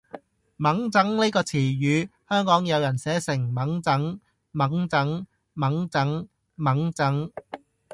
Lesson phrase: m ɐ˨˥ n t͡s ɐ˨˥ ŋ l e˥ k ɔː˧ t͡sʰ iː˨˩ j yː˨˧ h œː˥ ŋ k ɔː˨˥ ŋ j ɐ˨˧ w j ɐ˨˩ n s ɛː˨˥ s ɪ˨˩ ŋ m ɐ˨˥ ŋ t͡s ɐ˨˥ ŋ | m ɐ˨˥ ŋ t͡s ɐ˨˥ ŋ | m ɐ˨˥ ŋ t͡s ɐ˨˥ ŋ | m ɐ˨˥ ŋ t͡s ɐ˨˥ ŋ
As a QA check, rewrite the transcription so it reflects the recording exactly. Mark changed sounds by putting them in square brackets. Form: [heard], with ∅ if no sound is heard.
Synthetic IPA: m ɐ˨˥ [ŋ] t͡s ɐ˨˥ ŋ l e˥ k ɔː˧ t͡sʰ iː˨˩ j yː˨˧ h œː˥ ŋ k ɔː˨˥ ŋ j ɐ˨˧ w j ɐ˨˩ n s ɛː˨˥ s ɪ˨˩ ŋ m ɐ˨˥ ŋ t͡s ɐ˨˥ ŋ | m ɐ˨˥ ŋ t͡s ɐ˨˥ ŋ | m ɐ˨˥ ŋ t͡s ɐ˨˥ ŋ | m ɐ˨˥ ŋ t͡s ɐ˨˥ ŋ

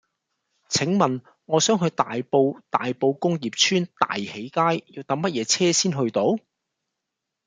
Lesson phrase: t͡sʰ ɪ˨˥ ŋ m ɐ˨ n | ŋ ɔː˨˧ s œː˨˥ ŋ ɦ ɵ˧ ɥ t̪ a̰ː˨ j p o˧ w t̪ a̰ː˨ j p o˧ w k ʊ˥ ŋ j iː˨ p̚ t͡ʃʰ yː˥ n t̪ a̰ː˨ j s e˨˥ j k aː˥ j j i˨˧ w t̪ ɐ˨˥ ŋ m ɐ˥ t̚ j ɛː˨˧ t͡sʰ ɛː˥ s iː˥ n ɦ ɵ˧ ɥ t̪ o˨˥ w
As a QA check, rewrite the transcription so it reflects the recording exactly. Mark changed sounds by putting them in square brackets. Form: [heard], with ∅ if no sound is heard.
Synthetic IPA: t͡sʰ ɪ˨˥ ŋ m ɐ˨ n | ŋ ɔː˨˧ s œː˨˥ ŋ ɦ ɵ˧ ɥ t̪ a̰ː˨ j p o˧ w t̪ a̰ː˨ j p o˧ w k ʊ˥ ŋ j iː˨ p̚ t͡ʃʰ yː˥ n t̪ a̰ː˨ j [h] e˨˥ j k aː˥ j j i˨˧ w t̪ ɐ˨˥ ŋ m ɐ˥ t̚ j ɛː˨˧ t͡sʰ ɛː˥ s iː˥ n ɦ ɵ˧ ɥ t̪ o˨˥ w

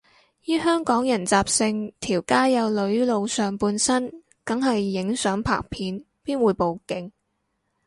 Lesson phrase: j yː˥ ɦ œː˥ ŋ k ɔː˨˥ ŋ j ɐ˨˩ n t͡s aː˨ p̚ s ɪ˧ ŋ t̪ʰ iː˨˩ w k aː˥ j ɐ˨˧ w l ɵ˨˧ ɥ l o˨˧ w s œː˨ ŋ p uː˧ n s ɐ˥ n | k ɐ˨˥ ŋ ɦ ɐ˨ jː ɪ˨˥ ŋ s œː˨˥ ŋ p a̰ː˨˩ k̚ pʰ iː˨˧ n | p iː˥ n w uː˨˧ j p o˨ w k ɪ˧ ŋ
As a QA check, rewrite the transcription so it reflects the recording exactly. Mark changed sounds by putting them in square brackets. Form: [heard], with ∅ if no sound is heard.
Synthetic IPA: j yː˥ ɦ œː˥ ŋ k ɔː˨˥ ŋ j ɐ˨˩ n t͡s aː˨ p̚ s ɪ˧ ŋ t̪ʰ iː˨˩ w k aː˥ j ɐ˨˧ w l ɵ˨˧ ɥ l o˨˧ w s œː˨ ŋ p uː˧ n s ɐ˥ n | k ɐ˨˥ ŋ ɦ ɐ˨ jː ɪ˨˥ ŋ s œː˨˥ ŋ [pʰ] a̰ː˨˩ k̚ pʰ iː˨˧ n | p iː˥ n w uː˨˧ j p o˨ w k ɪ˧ ŋ

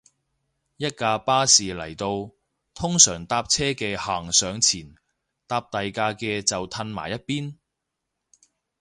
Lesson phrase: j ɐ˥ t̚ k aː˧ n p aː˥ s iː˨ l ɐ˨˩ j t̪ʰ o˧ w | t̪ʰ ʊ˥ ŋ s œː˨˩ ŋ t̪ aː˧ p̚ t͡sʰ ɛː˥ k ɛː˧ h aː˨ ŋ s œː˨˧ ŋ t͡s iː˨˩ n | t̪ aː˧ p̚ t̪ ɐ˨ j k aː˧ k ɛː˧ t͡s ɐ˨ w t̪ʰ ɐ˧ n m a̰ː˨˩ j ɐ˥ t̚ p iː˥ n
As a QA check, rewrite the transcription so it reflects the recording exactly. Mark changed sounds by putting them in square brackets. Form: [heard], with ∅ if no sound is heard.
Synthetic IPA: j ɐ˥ t̚ k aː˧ [∅] p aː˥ s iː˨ l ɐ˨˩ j [t̪] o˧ w | t̪ʰ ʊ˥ ŋ s œː˨˩ ŋ t̪ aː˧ p̚ t͡sʰ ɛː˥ k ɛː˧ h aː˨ ŋ s œː˨˧ ŋ [t͡sʰ] iː˨˩ n | t̪ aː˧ p̚ t̪ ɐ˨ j k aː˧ k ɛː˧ t͡s ɐ˨ w t̪ʰ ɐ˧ n m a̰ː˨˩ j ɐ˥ t̚ p iː˥ n

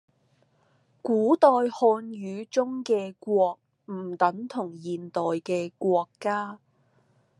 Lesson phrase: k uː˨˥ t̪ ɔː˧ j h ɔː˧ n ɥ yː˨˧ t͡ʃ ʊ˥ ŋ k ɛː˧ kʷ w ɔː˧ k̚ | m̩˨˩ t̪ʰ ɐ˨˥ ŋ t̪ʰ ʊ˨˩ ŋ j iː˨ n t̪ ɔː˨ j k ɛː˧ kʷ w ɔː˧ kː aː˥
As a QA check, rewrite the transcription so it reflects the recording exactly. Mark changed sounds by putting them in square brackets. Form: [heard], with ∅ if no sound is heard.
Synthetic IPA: k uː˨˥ t̪ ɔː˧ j h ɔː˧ n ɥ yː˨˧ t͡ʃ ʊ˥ ŋ k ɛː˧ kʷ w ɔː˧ k̚ | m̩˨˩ [t̪] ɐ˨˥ ŋ t̪ʰ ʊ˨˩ ŋ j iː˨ n t̪ ɔː˨ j k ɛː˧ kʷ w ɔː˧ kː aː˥

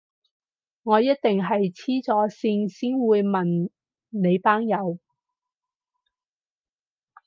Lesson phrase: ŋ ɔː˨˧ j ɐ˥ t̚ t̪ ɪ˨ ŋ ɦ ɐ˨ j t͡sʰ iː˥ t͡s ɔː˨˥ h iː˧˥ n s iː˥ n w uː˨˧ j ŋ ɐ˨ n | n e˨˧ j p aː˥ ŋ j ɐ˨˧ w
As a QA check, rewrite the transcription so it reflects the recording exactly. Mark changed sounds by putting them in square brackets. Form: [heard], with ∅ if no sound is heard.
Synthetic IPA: ŋ ɔː˨˧ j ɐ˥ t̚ t̪ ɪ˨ ŋ ɦ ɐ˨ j t͡sʰ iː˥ t͡s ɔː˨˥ [s] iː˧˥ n s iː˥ n w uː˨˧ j [m] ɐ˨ n | n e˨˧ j p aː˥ ŋ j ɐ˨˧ w

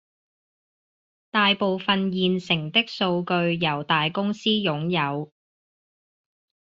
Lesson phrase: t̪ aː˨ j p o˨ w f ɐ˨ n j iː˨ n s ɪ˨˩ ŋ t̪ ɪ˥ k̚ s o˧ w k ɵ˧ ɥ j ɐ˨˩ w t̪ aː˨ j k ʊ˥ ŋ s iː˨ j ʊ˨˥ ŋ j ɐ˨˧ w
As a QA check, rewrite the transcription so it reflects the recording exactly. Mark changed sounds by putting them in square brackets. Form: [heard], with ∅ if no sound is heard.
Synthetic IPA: t̪ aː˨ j p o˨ w f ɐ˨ n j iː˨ n s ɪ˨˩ ŋ t̪ ɪ˥ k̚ s o˧ w k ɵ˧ ɥ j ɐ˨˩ w t̪ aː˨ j k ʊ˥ ŋ s [iː˥] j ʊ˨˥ ŋ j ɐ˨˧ w

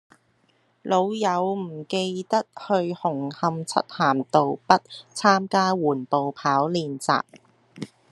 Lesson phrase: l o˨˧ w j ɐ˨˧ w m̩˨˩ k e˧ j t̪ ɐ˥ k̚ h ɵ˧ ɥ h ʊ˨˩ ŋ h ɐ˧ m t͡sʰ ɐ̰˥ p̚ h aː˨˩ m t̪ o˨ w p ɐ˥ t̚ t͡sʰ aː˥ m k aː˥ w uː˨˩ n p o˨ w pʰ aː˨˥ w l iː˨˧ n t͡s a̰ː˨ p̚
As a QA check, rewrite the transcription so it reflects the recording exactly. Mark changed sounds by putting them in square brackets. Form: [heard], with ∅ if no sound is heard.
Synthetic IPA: l o˨˧ w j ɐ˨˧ w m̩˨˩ k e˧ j t̪ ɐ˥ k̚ h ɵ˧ ɥ h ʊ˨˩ ŋ h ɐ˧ m t͡sʰ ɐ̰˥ [t̚] h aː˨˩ m t̪ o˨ w p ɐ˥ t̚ t͡sʰ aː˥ m k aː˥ w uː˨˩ n p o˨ w pʰ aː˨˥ w l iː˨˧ n t͡s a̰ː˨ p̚

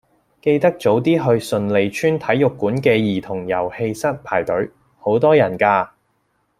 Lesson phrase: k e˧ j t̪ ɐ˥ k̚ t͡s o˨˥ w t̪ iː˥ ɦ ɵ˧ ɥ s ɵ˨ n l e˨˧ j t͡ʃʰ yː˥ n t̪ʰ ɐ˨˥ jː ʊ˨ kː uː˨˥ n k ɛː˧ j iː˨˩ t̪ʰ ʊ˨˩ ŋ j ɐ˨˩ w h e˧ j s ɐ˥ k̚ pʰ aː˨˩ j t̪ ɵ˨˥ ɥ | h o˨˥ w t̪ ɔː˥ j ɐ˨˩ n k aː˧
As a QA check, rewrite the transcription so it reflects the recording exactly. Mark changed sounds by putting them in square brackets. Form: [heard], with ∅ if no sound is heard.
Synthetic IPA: k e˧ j t̪ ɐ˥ k̚ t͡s o˨˥ w t̪ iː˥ ɦ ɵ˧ ɥ s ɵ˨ n l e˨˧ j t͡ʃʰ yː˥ n t̪ʰ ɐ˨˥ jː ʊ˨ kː uː˨˥ n k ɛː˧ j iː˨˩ t̪ʰ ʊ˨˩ ŋ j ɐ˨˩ w h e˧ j s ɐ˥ [t̚] pʰ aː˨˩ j t̪ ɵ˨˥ ɥ | h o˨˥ w t̪ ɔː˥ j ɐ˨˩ n k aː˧

